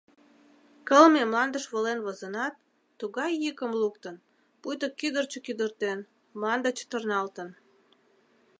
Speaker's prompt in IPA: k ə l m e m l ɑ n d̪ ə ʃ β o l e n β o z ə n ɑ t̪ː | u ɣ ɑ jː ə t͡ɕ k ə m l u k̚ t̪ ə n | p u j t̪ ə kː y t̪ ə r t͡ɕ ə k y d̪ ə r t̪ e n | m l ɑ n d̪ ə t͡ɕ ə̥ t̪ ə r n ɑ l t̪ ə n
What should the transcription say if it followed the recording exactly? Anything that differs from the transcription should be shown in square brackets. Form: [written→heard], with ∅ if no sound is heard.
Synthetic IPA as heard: k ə l m e m l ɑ n d̪ ə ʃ β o l e n β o z ə n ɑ t̪ː | u ɣ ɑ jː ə [t͡ɕ→∅] k ə m l u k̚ t̪ ə n | p u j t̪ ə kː y [t̪→d̪] ə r t͡ɕ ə k y d̪ ə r t̪ e n | m l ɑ n d̪ ə t͡ɕ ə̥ t̪ ə r n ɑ l t̪ ə n

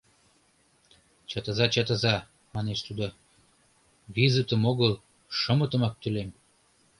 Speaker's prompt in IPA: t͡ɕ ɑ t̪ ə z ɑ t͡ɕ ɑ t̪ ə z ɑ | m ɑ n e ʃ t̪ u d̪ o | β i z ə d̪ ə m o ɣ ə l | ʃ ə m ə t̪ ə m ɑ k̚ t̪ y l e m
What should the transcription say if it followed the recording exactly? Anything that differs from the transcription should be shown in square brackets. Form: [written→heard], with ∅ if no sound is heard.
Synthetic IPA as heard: t͡ɕ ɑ t̪ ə z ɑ t͡ɕ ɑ t̪ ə z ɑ | m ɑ n e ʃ t̪ u d̪ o | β i z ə [d̪→t̪] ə m o ɣ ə l | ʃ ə m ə t̪ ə m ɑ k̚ t̪ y l e m

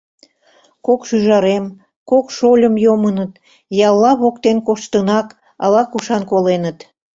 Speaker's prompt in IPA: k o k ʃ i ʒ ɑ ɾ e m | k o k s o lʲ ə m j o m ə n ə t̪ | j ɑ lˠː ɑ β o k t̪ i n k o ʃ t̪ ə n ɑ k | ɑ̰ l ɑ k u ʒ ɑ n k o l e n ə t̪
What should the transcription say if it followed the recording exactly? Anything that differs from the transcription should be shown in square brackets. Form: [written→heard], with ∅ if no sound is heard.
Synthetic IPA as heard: k o k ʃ [i→y] ʒ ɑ ɾ e m | k o k [s→ʃ] o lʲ ə m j o m ə n ə t̪ | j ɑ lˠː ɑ β o k t̪ [i→e] n k o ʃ t̪ ə n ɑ k | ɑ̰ l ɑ k u [ʒ→ʃ] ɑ n k o l e n ə t̪

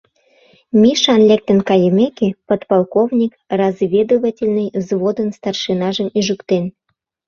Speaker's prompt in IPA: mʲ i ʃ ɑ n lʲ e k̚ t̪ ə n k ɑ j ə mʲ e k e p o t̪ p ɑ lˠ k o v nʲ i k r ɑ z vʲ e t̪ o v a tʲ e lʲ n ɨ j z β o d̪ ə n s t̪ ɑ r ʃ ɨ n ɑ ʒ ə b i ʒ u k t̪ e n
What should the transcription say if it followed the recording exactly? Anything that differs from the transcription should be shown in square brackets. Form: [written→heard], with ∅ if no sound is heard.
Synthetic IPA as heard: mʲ i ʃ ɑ n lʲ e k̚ t̪ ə n k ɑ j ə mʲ e k e p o t̪ p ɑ lˠ k o v nʲ i k r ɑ z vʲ e [t̪→d̪] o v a tʲ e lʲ n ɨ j z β o d̪ ə n s t̪ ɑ r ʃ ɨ n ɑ ʒ ə [b→m] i ʒ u k t̪ e n

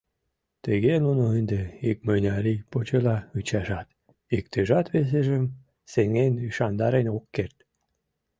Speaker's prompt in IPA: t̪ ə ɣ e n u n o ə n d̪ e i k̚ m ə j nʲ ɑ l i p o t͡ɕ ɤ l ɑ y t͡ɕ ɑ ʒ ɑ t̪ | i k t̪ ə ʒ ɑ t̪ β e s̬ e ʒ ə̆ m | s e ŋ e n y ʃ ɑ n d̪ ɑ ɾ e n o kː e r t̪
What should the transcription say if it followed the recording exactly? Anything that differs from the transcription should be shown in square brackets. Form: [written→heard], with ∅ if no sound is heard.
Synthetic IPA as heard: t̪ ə ɣ e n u n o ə n d̪ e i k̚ m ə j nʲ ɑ [l→ɾ] i p o t͡ɕ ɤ l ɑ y t͡ɕ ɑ ʒ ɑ t̪ | i k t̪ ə ʒ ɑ t̪ β e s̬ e ʒ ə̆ m | s e ŋ e n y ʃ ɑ n d̪ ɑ ɾ e n o kː e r t̪

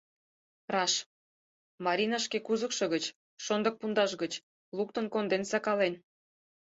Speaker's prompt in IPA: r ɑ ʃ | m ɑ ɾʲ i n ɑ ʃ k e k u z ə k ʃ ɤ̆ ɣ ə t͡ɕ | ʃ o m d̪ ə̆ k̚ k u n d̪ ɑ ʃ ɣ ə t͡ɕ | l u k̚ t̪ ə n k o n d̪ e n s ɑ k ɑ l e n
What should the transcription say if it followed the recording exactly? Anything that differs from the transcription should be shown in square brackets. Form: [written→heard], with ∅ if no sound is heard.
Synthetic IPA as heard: r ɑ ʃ | m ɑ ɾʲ i n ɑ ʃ k e k u z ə k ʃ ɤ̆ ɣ ə t͡ɕ | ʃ o [m→n] d̪ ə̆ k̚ [k→p] u n d̪ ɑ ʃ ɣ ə t͡ɕ | l u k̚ t̪ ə n k o n d̪ e n s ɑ k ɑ l e n

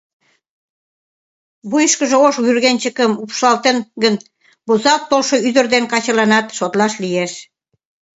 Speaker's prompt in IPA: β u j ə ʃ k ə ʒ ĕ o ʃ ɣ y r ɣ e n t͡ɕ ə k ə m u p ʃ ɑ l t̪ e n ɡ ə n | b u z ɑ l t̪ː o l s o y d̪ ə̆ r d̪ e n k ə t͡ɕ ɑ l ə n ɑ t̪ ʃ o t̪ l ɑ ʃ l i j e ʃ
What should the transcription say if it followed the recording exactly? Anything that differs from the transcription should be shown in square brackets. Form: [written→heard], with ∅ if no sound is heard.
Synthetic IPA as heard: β u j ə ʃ k ə ʒ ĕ o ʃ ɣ y r ɣ e n t͡ɕ ə k ə m u p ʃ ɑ l t̪ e n ɡ ə n | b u z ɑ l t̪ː o l [s→ʃ] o y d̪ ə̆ r d̪ e n k [ə→ɑ] t͡ɕ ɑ l [ə→ɑ] n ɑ t̪ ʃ o t̪ l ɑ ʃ l i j e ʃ

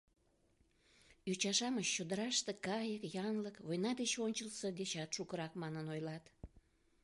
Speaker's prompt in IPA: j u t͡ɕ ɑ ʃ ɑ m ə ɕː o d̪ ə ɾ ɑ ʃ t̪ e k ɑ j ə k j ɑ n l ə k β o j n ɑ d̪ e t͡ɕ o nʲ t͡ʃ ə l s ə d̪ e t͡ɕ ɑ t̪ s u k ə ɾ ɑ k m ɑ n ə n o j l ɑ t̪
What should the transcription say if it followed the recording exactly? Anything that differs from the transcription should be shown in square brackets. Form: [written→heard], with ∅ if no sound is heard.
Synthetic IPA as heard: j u t͡ɕ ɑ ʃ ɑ m ə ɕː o d̪ ə ɾ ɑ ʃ t̪ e k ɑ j ə k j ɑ n l ə k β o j n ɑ d̪ e t͡ɕ o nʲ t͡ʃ ə l s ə d̪ e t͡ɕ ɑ t̪ [s→ʃ] u k ə ɾ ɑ k m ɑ n ə n o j l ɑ t̪

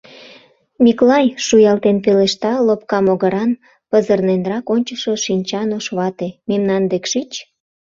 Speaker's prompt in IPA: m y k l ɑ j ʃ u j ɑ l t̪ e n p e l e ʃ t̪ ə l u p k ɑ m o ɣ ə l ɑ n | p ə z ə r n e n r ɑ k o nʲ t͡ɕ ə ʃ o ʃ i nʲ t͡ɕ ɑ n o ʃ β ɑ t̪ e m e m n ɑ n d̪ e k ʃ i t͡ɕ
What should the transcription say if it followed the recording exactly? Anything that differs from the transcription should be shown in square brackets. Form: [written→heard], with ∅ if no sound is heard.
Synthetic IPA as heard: m [y→i] k l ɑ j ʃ u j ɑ l t̪ e n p e l e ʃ t̪ [ə→ɑ] l [u→o] p k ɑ m o ɣ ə [l→ɾ] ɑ n | p ə z ə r n e n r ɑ k o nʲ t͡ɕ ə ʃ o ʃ i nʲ t͡ɕ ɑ n o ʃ β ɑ t̪ e m e m n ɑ n d̪ e k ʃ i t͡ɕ

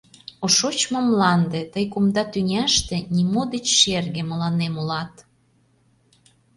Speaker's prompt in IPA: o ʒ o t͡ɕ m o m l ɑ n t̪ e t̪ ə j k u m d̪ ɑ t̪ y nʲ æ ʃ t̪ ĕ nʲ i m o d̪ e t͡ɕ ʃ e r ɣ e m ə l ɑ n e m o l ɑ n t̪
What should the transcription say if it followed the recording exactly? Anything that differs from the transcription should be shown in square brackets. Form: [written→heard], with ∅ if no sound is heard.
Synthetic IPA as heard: o [ʒ→ʃ] o t͡ɕ m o m l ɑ n [t̪→d̪] e t̪ ə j k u m d̪ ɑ t̪ y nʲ æ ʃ t̪ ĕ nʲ i m o d̪ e t͡ɕ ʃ e r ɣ e m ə l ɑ n e m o l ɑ [n→∅] t̪

